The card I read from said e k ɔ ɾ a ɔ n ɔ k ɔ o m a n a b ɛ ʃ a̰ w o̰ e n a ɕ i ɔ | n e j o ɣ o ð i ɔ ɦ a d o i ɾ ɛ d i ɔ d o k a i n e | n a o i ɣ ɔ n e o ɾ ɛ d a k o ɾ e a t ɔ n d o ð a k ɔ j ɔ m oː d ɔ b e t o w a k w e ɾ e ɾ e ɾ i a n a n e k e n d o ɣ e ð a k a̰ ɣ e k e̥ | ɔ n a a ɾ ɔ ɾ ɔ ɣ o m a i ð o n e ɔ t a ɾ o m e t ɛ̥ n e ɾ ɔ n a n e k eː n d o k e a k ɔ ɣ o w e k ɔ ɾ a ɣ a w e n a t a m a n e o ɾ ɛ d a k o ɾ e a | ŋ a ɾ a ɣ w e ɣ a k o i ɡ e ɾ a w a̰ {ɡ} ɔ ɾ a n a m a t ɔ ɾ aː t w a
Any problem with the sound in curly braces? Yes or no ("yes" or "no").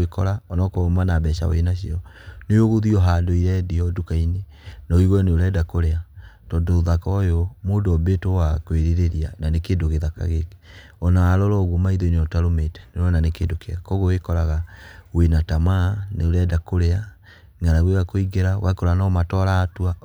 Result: yes